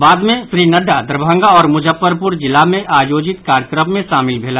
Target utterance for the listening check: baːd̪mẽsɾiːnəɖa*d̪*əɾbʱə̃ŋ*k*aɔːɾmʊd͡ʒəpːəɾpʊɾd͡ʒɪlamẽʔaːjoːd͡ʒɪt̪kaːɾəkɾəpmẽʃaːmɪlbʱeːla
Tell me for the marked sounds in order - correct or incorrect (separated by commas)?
correct, incorrect